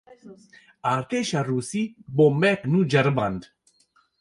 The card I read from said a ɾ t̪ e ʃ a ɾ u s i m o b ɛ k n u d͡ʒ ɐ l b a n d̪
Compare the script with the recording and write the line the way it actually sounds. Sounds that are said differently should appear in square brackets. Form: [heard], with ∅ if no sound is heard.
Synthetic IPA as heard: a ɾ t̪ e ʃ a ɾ u s i [b] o [m] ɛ k n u d͡ʒ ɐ [ɾ] b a n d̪